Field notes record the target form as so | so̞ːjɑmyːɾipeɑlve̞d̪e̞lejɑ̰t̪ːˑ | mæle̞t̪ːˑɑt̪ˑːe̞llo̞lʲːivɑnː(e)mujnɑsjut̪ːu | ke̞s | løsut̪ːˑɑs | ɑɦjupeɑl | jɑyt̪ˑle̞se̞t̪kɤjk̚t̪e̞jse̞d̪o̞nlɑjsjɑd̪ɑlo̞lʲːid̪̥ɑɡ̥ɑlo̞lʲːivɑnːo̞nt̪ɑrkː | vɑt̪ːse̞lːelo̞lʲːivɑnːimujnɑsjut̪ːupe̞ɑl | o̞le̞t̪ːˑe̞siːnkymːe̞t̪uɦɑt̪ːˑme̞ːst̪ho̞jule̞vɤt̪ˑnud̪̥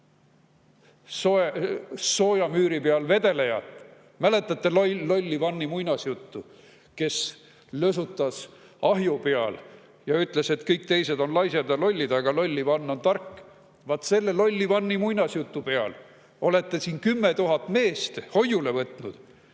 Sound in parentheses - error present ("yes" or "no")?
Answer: yes